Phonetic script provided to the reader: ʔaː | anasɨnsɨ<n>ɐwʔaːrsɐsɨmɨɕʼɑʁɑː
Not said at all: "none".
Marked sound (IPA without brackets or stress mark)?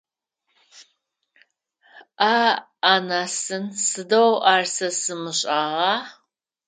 d